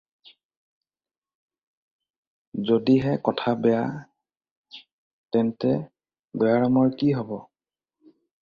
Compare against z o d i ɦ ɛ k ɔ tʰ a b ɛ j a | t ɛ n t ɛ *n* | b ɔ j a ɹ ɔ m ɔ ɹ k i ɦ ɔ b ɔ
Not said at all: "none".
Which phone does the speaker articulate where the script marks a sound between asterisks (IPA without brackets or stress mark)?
none